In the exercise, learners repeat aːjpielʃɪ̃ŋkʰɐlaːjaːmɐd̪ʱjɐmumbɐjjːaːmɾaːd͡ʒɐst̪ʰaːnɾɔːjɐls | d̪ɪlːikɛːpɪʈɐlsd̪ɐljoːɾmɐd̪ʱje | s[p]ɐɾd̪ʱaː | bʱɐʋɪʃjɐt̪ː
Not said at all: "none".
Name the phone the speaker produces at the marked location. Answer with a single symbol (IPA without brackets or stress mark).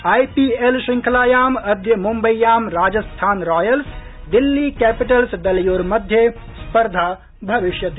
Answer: p